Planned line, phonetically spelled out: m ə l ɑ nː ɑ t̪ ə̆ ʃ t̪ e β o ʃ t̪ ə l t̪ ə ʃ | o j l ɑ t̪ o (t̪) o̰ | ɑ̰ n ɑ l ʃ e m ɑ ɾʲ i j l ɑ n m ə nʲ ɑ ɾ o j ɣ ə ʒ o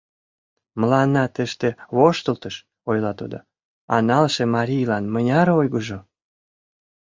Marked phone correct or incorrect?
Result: incorrect: d̪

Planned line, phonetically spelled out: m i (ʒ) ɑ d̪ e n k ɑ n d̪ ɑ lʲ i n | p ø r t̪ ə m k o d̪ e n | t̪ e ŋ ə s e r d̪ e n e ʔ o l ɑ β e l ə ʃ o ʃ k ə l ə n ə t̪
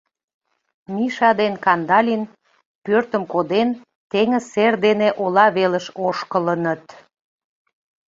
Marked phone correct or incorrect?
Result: incorrect: ʃ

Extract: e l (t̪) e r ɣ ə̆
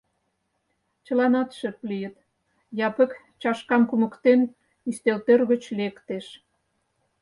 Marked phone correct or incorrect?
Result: correct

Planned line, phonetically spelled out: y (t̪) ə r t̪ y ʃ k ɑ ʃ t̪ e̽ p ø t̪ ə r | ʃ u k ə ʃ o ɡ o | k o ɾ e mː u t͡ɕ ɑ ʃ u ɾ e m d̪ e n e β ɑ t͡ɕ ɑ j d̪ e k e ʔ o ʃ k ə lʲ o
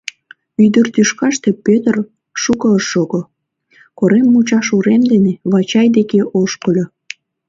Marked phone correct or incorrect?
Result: incorrect: d̪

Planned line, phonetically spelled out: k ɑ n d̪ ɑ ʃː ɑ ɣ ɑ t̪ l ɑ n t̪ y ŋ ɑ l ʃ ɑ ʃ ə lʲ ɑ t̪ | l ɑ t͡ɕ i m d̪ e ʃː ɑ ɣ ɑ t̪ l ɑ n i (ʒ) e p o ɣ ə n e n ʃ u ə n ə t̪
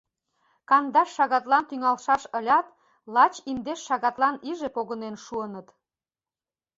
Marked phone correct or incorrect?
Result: correct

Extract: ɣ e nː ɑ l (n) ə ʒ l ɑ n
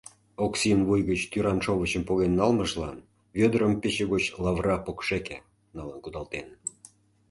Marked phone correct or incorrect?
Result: incorrect: m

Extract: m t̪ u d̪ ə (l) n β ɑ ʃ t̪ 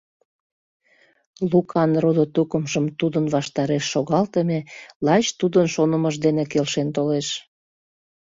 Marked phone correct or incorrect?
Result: incorrect: none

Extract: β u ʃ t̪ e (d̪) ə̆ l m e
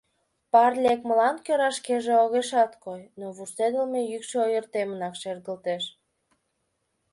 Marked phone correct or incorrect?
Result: correct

